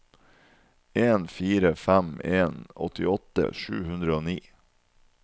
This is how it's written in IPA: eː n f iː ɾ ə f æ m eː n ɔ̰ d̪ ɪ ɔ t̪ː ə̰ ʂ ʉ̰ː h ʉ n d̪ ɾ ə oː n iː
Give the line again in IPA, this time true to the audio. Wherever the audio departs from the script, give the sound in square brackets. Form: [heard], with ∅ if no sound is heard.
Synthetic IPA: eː n f iː ɾ ə f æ m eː n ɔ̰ [t̪] ɪ ɔ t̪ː ə̰ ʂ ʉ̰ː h ʉ n d̪ ɾ ə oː n iː